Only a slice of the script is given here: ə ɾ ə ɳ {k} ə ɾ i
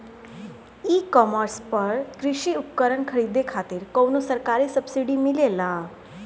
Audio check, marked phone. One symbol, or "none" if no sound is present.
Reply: kʰ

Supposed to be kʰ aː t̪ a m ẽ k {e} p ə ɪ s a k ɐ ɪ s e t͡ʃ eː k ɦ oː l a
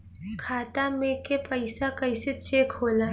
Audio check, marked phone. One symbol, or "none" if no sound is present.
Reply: e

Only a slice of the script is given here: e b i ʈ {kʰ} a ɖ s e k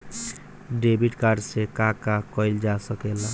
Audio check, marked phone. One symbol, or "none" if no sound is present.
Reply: k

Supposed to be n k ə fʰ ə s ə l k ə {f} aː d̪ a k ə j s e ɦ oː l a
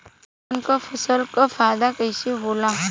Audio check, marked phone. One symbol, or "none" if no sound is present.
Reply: f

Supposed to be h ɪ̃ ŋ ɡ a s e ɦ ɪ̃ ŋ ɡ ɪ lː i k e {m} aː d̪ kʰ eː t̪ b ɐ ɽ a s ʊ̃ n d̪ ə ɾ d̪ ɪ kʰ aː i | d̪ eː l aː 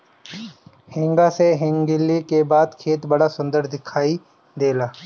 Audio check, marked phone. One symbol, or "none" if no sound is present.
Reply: b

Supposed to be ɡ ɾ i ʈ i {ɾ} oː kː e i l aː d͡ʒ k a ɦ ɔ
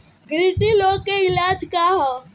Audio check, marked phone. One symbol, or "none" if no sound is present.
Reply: l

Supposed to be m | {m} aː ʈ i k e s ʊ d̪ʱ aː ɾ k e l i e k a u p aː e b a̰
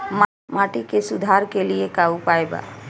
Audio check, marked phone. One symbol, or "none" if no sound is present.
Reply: m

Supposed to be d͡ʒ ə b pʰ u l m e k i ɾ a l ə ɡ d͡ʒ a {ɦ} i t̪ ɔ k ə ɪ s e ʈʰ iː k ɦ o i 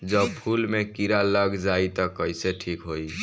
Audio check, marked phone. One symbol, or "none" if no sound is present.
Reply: none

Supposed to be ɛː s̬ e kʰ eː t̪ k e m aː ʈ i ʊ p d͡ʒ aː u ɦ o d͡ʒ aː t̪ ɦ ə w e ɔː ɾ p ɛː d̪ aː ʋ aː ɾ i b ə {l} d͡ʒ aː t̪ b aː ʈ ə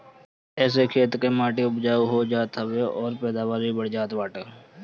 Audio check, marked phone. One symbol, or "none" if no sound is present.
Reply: ɽ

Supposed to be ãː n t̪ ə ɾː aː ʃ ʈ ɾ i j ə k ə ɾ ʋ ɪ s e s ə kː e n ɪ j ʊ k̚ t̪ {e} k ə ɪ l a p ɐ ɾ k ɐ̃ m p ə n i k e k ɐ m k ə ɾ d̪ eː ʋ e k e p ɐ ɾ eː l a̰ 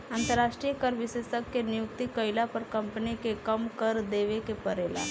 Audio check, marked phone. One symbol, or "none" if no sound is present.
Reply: i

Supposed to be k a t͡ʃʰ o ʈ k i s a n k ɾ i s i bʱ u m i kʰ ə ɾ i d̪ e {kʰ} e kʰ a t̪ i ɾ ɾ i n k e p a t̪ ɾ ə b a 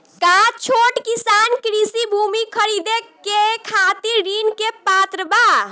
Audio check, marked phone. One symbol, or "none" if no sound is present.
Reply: k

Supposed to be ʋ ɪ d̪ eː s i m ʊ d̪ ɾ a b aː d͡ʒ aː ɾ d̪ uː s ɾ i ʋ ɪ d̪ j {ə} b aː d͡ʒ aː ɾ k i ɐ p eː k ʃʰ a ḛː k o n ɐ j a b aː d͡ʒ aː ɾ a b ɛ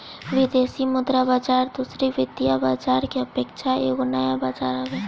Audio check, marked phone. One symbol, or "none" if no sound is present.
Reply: a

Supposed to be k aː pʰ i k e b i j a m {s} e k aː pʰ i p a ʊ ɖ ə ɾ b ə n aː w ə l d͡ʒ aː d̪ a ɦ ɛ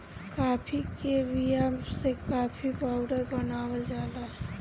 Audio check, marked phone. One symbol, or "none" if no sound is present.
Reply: s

